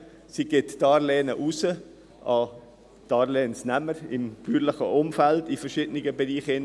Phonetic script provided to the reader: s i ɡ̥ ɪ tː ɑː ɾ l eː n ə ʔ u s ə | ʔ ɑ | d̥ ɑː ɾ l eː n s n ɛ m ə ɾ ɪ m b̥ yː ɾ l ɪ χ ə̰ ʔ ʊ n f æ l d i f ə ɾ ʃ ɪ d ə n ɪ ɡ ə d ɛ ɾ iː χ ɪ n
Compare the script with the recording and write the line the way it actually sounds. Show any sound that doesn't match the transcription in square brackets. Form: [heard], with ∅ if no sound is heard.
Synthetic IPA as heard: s i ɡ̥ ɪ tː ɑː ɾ l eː n ə ʔ u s ə | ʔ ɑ | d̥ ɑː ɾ l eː n s n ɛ m ə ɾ ɪ m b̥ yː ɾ l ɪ χ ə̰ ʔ ʊ [m] f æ l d i f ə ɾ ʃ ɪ d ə n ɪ ɡ ə [b] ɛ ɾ iː χ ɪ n

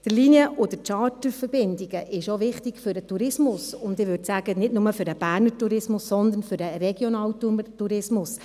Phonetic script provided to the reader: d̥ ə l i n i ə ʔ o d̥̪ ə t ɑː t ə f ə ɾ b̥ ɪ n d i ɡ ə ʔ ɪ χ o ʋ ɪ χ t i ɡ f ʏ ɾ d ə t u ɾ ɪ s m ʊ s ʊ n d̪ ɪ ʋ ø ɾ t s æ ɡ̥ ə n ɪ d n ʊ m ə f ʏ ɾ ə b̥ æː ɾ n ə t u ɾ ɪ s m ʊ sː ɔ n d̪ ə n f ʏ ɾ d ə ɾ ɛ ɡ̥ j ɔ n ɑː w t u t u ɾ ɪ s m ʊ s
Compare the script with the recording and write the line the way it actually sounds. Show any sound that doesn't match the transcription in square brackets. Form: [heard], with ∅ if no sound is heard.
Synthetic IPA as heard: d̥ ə l i n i ə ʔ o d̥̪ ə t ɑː t ə f ə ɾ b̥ ɪ n d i ɡ ə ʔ ɪ [ʃ] o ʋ ɪ χ t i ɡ f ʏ ɾ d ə t u ɾ ɪ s m ʊ s ʊ n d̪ ɪ ʋ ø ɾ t s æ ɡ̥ ə n ɪ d n ʊ m ə f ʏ ɾ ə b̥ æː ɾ n ə t u ɾ ɪ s m ʊ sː ɔ n d̪ ə n f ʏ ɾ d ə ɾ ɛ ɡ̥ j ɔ n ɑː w t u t u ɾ ɪ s m ʊ s

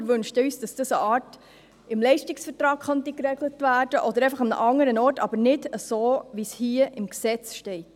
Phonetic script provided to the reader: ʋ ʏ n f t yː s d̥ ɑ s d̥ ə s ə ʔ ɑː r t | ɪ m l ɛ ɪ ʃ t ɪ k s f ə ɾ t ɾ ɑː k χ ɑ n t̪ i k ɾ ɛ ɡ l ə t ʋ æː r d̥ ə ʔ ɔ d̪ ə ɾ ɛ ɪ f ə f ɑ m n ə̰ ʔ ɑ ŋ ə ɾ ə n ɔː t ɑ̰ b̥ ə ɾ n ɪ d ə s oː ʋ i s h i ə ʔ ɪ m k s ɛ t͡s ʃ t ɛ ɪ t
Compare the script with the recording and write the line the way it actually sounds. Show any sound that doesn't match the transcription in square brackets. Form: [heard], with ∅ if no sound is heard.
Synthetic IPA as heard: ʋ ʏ n [ʃ] t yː s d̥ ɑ s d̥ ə s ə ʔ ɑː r t | ɪ m l ɛ ɪ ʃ t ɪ k s f ə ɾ t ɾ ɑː k χ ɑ n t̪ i k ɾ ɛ ɡ l ə t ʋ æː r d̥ ə ʔ ɔ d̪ ə ɾ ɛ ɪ f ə [χ] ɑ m n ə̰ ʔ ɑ ŋ ə ɾ ə n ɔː t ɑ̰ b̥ ə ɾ n ɪ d ə s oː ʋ i s h i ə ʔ ɪ m k s ɛ t͡s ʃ t ɛ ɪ t

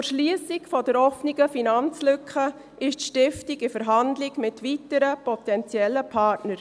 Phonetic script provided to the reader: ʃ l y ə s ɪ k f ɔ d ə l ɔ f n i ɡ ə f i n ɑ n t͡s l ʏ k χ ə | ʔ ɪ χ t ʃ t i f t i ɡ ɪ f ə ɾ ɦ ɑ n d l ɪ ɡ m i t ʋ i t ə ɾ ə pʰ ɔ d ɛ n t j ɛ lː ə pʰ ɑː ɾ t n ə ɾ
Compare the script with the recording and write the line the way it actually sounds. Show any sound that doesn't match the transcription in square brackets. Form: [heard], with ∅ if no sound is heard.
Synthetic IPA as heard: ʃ l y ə s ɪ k f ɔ d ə [ɾ] ɔ f n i ɡ ə f i n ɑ n t͡s l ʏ k χ ə | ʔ ɪ [ʃ] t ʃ t [ɪ] f t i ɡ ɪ f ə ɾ ɦ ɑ n d l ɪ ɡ m [ɪ] t ʋ i t ə ɾ ə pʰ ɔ [t] ɛ n [t͡s] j ɛ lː ə pʰ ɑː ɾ t n ə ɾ

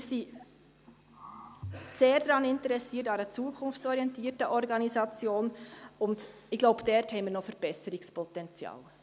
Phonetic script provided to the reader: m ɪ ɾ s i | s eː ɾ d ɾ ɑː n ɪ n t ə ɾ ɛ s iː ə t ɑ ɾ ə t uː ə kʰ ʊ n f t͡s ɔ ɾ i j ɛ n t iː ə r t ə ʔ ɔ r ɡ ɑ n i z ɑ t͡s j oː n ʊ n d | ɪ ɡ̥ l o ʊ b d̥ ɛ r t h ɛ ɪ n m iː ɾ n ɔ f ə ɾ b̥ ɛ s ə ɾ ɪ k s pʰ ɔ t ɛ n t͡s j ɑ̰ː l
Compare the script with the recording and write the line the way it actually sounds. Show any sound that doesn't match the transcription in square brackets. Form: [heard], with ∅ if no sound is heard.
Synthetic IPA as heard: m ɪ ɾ s i | s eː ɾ d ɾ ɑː n ɪ n t ə ɾ ɛ s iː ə t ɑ ɾ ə [t͡s] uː ə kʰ ʊ n f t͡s ɔ ɾ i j ɛ n t iː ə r t ə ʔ ɔ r ɡ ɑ n i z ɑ t͡s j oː n ʊ n d | ɪ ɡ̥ l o ʊ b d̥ ɛ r t h ɛ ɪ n m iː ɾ n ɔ f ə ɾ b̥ ɛ s ə ɾ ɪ k s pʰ ɔ t ɛ n t͡s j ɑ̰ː l

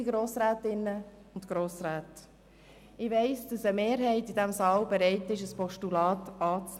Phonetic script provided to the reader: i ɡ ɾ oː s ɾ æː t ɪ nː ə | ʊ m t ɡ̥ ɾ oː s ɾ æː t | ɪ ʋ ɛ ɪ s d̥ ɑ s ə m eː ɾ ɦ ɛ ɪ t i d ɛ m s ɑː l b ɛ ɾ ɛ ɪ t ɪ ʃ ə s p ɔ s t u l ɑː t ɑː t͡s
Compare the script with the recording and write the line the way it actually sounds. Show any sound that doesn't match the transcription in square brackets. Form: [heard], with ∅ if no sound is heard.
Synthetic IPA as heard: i ɡ ɾ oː s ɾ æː t ɪ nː ə | ʊ [n] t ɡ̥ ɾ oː s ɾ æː t | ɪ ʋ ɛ ɪ s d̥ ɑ s ə m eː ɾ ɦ ɛ ɪ t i d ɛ m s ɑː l b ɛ ɾ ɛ ɪ t ɪ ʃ ə s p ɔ [ʃ] t u l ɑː t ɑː t͡s

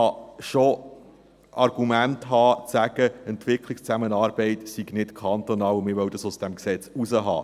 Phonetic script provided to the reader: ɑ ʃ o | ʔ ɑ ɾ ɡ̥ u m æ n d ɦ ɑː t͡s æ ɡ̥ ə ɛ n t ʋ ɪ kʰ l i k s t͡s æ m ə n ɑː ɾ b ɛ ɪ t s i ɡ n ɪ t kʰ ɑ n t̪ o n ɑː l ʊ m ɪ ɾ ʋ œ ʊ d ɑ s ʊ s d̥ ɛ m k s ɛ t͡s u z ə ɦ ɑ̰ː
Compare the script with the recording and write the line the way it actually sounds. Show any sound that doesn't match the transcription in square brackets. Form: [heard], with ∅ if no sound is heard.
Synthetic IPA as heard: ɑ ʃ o | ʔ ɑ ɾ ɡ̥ u m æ n [t] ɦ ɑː t͡s æ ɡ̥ ə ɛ n t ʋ ɪ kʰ l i k s t͡s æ m ə n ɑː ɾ b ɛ ɪ t s i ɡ n ɪ t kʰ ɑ n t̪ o n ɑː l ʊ m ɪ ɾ ʋ œ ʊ d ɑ s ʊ s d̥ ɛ m k s ɛ t͡s u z ə ɦ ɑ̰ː

